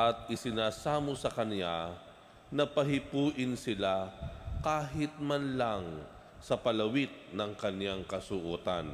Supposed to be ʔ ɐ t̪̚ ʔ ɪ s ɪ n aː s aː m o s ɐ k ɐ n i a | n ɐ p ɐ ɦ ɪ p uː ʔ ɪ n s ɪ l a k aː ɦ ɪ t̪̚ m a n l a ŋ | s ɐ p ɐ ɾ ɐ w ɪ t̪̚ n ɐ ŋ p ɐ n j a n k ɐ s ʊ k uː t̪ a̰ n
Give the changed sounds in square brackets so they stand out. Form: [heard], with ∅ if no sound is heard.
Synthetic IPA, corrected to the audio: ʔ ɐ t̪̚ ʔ ɪ s ɪ n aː s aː m o s ɐ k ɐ n [j] a | n ɐ p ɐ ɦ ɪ p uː ʔ ɪ n s ɪ l a k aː ɦ ɪ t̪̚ m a n l a ŋ | s ɐ p ɐ [l] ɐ w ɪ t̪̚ n ɐ ŋ [k] ɐ n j a [ŋ] k ɐ s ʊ [ʔ] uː t̪ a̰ n